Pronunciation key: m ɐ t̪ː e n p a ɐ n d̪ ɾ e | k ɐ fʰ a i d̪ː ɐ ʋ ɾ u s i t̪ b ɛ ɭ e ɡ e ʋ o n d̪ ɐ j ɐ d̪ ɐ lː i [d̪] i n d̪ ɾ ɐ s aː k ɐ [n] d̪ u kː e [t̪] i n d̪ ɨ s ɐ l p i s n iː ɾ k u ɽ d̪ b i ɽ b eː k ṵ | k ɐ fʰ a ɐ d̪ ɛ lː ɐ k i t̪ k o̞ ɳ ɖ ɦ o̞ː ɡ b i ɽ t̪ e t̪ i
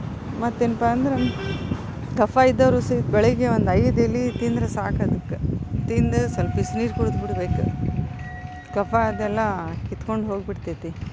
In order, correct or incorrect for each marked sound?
incorrect: t̪, incorrect: none, correct

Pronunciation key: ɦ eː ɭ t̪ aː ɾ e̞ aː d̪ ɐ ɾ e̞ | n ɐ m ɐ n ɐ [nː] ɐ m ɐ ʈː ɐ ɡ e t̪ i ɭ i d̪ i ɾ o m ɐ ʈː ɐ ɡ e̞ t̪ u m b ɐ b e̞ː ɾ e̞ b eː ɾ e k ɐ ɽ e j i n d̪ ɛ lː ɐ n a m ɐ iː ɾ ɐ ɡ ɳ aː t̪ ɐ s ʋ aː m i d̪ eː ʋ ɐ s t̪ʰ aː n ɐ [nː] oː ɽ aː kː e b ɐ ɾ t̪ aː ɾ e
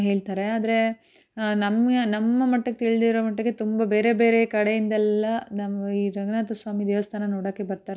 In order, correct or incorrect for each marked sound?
incorrect: mː, incorrect: n

